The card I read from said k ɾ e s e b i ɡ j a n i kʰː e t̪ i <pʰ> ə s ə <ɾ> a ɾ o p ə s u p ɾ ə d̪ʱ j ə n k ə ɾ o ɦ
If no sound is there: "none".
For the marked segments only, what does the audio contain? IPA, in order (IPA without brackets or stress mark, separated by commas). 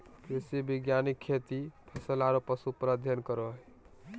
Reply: pʰ, l